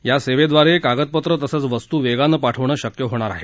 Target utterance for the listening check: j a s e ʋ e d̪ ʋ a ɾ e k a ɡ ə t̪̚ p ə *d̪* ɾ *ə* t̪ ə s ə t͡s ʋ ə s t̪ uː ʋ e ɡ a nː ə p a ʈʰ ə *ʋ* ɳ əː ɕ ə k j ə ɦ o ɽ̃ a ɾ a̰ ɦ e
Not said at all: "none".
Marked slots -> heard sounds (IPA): t̪, ə, ʋ

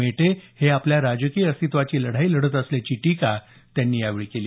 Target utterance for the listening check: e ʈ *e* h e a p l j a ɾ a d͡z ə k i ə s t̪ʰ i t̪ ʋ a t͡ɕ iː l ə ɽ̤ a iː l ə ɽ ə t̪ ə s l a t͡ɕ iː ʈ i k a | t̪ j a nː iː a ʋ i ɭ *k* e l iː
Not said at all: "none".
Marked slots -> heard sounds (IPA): e, k

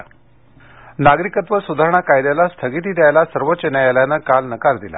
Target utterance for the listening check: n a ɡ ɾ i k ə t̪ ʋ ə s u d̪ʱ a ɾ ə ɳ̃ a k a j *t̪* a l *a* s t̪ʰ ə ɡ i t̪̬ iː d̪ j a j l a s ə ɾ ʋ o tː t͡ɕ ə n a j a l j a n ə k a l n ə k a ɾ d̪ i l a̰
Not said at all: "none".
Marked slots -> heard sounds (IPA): d̪, a

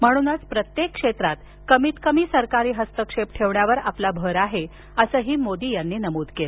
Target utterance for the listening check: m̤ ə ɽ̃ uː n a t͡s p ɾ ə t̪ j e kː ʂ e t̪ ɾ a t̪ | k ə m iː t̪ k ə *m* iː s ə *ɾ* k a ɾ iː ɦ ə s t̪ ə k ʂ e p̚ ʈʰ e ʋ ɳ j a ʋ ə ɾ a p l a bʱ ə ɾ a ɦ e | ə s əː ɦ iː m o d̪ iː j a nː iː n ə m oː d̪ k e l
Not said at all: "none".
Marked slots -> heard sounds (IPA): m, ɾ

